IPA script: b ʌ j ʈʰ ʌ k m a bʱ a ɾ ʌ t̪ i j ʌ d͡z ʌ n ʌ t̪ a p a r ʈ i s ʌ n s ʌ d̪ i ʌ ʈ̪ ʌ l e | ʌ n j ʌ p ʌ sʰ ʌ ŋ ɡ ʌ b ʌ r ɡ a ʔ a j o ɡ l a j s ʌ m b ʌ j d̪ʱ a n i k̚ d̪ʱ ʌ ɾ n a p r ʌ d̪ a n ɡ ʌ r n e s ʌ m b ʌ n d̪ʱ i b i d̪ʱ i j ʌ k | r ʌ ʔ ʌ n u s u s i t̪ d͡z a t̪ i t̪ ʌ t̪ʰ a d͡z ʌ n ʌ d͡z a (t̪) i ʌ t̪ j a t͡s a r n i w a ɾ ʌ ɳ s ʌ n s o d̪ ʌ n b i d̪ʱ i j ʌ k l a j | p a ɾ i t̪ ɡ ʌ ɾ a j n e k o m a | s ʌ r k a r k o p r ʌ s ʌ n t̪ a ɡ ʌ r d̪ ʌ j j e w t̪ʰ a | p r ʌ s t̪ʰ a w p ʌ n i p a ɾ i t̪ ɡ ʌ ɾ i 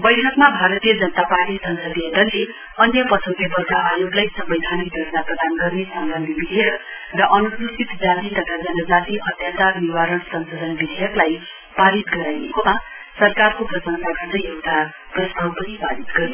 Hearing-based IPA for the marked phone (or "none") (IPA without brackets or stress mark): t̪